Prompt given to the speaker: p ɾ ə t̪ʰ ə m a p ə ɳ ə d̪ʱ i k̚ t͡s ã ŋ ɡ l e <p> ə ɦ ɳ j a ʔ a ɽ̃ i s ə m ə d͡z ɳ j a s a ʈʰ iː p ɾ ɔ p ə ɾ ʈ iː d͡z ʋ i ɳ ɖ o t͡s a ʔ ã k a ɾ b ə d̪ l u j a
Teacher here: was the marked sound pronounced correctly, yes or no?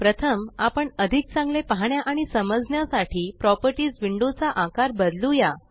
yes